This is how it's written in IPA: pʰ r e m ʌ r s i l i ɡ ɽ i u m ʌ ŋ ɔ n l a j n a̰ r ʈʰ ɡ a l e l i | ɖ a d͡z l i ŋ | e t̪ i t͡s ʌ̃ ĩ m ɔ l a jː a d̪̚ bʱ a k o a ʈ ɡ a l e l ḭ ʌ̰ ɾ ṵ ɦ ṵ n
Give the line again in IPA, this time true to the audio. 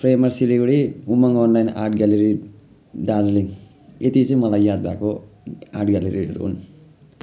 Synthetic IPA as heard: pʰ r e m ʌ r s i l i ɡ ɽ i u m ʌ ŋ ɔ n l a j n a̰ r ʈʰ ɡ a l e ɾ i | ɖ a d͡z l i ŋ | e t̪ i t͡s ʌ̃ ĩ m ʌ l a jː a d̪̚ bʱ a k o a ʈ ɡ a l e ɾ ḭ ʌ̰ ɾ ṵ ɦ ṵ n